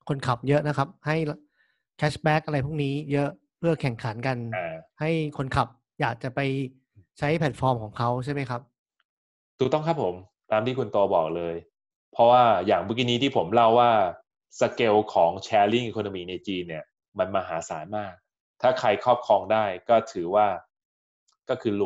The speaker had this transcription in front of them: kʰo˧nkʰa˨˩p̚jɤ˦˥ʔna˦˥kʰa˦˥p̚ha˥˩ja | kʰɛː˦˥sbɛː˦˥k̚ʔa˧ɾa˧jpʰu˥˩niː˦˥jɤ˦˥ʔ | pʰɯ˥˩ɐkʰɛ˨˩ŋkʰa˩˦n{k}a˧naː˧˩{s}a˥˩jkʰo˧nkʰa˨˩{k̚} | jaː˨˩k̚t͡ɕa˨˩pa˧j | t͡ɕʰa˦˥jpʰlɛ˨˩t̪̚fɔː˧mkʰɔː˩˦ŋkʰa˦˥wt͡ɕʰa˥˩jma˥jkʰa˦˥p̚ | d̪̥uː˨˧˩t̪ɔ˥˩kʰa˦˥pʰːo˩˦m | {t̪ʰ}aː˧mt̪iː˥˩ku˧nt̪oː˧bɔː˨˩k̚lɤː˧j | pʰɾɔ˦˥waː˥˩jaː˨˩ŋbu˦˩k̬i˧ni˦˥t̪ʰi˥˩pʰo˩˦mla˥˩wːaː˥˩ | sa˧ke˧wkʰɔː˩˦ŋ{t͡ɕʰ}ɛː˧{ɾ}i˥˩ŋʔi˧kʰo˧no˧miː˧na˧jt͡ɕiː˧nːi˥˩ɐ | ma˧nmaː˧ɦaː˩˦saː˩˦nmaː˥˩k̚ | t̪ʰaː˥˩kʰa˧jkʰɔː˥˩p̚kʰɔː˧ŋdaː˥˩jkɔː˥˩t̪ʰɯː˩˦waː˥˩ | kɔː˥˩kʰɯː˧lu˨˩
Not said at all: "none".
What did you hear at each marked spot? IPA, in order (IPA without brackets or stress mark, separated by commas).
k, h, p̚, t̪, t͡ɕʰ, l